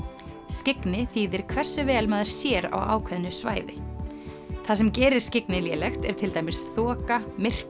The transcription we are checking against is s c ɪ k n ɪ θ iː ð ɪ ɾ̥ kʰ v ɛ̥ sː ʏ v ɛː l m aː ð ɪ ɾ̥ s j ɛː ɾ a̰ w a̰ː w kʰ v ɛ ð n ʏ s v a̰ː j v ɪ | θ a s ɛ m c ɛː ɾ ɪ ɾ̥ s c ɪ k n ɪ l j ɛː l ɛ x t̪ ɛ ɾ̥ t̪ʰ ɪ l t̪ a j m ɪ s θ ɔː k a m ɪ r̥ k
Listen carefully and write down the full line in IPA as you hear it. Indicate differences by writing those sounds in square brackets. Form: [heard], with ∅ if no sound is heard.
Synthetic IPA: s c ɪ k n ɪ θ iː ð ɪ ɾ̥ kʰ v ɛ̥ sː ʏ v ɛː l m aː ð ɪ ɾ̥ s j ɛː ɾ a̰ w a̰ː w kʰ v ɛ ð n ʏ s v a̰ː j [ð] ɪ | θ a s ɛ m c ɛː ɾ ɪ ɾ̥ s c ɪ k n ɪ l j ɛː l ɛ x t̪ ɛ ɾ̥ t̪ʰ ɪ l t̪ a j m ɪ s θ ɔː k a m ɪ r̥ k